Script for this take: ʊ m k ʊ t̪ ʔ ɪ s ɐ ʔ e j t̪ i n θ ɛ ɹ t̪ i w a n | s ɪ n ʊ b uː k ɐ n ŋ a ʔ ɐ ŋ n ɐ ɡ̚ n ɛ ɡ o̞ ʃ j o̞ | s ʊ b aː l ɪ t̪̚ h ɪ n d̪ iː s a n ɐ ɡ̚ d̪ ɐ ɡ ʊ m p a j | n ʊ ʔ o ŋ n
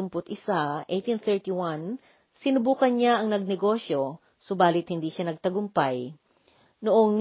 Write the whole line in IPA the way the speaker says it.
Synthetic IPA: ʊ m p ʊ t̪ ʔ ɪ s a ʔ e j t̪ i n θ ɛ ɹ t̪ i w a n | s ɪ n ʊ b uː k ɐ n ɲ a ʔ ɐ ŋ n ɐ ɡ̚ n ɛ ɡ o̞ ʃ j o̞ | s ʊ b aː l ɪ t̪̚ h ɪ n d̪ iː ʃ a n ɐ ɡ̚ t̪ ɐ ɡ ʊ m p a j | n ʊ ʔ o ŋ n